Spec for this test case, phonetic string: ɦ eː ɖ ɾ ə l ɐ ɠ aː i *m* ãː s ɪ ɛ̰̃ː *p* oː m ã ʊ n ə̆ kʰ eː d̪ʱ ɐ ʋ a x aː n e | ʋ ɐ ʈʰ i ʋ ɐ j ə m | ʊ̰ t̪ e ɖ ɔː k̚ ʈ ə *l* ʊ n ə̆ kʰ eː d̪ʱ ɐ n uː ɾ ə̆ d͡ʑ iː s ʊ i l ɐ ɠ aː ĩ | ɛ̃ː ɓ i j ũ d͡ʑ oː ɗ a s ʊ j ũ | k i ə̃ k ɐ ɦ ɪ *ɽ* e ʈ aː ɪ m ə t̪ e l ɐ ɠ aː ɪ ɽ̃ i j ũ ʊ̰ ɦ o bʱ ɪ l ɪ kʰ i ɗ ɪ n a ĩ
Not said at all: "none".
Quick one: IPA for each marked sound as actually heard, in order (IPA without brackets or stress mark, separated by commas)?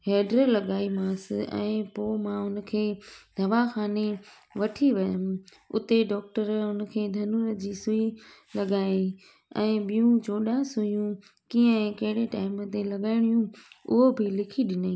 m, p, ɾ, ɽ